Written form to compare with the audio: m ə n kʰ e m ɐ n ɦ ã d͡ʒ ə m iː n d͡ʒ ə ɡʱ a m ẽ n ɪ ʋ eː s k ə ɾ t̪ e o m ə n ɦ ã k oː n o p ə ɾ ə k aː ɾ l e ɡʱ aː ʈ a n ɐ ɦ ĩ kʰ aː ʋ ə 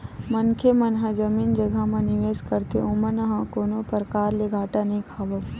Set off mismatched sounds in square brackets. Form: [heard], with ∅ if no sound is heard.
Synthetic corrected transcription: m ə n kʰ e m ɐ n ɦ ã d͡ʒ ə m iː n d͡ʒ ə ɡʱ a m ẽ n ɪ ʋ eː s k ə ɾ t̪ e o m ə n ɦ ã k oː n o p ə ɾ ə k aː ɾ l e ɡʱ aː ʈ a n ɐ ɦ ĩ kʰ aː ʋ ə

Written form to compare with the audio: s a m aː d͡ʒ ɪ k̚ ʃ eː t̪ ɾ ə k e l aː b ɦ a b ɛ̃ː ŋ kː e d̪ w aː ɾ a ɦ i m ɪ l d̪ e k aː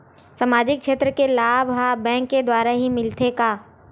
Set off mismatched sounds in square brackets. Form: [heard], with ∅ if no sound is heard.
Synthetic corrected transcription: s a m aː d͡ʒ ɪ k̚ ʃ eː t̪ ɾ ə k e l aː b ɦ a b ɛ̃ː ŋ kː e d̪ w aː ɾ a ɦ i m ɪ l [t̪] e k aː

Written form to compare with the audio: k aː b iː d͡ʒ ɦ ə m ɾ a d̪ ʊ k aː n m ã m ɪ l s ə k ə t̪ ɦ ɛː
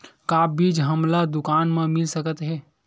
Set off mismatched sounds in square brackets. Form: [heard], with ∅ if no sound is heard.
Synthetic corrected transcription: k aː b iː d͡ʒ ɦ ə m [l] a d̪ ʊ k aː n m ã m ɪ l s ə k ə t̪ ɦ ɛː

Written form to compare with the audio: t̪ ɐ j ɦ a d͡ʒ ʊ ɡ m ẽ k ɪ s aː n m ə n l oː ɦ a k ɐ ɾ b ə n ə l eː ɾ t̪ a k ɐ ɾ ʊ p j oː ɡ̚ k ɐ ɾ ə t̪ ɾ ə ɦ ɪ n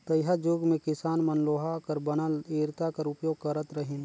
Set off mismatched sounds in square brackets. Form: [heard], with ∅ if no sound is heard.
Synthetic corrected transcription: t̪ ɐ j ɦ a d͡ʒ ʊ ɡ m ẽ k ɪ s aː n m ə n l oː ɦ a k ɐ ɾ b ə n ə l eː ɾ t̪ a k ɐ ɾ ʊ p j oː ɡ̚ k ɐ ɾ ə t̪ ɾ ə ɦ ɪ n

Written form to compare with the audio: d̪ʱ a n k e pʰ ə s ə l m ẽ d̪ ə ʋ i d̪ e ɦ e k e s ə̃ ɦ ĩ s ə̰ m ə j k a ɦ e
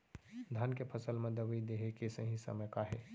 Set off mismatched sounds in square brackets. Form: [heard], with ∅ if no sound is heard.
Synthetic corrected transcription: d̪ʱ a n k e pʰ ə s ə l m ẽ d̪ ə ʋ i d̪ e ɦ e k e s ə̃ ɦ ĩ s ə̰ m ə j k a ɦ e

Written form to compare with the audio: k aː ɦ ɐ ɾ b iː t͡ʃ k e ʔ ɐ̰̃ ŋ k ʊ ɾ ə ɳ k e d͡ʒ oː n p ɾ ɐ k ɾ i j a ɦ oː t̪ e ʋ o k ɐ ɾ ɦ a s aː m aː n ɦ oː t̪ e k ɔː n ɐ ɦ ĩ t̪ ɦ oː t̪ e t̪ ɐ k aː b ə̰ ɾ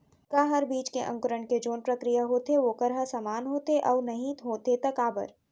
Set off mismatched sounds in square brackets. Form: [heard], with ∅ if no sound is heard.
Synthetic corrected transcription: k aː ɦ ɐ ɾ b iː t͡ʃ k e ʔ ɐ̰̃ ŋ k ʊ ɾ ə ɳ k e d͡ʒ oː n p ɾ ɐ k ɾ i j a ɦ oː t̪ e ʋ o k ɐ ɾ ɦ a s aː m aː n ɦ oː t̪ e [ʔ] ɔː n ɐ ɦ ĩ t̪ ɦ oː t̪ e t̪ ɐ k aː b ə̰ ɾ

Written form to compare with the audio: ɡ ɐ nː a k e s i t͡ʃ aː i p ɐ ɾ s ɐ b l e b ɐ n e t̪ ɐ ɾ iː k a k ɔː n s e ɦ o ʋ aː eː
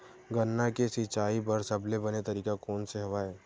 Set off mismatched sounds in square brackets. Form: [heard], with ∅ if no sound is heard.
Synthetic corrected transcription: ɡ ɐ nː a k e s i t͡ʃ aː i p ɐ ɾ s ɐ b l e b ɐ n e t̪ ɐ ɾ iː k a k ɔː n s e ɦ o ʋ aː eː

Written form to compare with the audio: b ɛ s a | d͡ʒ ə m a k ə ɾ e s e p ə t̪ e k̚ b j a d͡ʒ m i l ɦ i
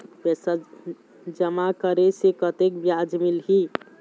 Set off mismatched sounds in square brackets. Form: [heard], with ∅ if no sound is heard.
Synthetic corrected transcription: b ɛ s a | d͡ʒ ə m a k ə ɾ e s e [k] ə t̪ e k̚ b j a d͡ʒ m i l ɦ i

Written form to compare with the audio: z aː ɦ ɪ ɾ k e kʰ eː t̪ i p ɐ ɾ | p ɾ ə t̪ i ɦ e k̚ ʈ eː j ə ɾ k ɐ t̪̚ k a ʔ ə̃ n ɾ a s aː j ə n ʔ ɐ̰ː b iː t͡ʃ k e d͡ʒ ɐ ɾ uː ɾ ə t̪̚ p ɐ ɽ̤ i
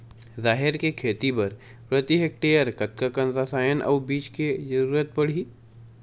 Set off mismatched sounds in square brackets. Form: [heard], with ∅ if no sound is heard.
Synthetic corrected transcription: z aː ɦ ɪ ɾ k e kʰ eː t̪ i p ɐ ɾ | p ɾ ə t̪ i ɦ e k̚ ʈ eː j ə ɾ k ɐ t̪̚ k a [k] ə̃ n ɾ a s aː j ə n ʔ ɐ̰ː b iː t͡ʃ k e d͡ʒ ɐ ɾ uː ɾ ə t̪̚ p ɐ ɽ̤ i

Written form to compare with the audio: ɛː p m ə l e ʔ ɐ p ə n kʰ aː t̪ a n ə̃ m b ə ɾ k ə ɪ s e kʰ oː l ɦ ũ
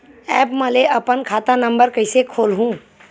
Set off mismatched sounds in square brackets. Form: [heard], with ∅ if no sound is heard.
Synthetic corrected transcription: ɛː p m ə l e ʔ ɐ p ə n kʰ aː t̪ a n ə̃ m b ə ɾ k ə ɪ s e kʰ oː l ɦ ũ

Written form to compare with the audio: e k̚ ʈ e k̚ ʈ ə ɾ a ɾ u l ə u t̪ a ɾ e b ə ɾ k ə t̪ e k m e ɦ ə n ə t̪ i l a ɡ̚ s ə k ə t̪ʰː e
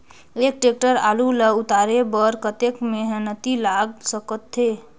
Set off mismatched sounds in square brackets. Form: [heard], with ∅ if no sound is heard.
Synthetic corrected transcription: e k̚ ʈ e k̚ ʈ ə ɾ a [l] u l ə u t̪ a ɾ e b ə ɾ k ə t̪ e k m e ɦ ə n ə t̪ i l a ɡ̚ s ə k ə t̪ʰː e

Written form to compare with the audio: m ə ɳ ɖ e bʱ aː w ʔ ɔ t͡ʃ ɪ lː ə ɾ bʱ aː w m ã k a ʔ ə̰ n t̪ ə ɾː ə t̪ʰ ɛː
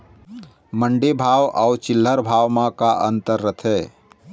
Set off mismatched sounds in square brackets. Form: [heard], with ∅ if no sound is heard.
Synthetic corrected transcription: m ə ɳ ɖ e bʱ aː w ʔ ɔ t͡ʃ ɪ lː ə ɾ bʱ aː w m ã k a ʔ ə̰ n t̪ ə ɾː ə t̪ʰ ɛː

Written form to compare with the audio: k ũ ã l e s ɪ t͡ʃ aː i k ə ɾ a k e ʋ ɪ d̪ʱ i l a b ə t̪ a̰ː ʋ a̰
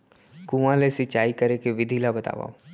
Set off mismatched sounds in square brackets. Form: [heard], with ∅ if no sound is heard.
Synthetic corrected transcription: k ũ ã l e s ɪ t͡ʃ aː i k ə ɾ [e] k e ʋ ɪ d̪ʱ i l a b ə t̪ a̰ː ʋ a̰

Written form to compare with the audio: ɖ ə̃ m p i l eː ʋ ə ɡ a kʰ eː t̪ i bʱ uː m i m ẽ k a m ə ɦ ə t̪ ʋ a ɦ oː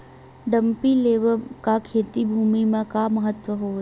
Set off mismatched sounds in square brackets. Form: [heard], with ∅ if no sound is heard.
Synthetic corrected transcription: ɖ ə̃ m p i l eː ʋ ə [k] a kʰ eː t̪ i bʱ uː m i m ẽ k a m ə ɦ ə t̪ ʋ [ə] ɦ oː

